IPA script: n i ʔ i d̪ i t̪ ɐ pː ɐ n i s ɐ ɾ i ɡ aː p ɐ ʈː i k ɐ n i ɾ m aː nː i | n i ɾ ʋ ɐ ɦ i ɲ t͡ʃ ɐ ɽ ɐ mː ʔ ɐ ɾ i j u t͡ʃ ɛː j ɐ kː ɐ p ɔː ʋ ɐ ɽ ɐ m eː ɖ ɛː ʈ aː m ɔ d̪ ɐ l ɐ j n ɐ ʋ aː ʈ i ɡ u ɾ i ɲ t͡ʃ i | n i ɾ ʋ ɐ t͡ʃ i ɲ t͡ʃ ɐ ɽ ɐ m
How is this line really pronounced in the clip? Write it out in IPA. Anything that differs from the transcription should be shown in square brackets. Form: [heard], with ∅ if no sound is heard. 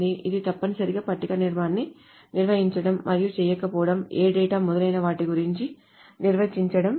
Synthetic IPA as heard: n i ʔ i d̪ i t̪ ɐ pː ɐ n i s ɐ ɾ i ɡ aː p ɐ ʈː i k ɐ n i ɾ m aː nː i | n i ɾ ʋ ɐ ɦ i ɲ t͡ʃ ɐ ɽ ɐ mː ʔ ɐ ɾ i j u t͡ʃ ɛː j ɐ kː ɐ p ɔː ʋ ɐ ɽ ɐ m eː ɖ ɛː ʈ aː m ɔ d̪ ɐ l ɐ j n ɐ ʋ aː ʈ i ɡ u ɾ i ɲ t͡ʃ i | n i ɾ ʋ ɐ t͡ʃ i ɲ t͡ʃ ɐ ɽ ɐ m